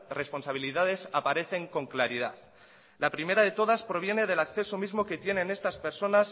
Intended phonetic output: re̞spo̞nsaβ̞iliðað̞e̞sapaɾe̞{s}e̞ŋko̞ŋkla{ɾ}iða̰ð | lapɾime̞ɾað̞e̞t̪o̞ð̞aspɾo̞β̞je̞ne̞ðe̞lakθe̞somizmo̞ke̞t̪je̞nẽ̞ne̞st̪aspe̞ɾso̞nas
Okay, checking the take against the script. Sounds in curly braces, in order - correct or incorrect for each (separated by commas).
incorrect, correct